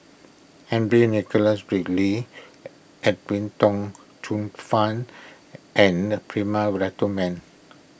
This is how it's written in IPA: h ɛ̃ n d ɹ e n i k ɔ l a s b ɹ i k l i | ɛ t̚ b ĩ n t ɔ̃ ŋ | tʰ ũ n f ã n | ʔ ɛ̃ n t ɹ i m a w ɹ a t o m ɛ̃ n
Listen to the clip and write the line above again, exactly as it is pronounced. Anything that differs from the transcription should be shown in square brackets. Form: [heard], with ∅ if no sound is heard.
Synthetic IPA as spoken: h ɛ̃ n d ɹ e n i k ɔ l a s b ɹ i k l i | ɛ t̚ [w] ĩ n t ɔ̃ ŋ | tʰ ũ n f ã n | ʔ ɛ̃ n [p] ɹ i m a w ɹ a t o m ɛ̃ n